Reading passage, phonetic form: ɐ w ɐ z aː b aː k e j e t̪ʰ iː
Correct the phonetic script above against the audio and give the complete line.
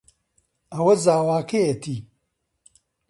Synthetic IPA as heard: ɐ w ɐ z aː w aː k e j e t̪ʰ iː